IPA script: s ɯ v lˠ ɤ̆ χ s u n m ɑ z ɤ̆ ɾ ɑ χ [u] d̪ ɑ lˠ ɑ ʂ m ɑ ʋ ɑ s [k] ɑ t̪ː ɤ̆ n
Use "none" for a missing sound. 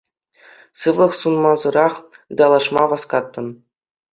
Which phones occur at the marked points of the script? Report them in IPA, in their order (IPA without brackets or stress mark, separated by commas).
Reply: ɯ, k